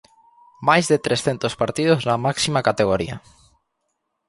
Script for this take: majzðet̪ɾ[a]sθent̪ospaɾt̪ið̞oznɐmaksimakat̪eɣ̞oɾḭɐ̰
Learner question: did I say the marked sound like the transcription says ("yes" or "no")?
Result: no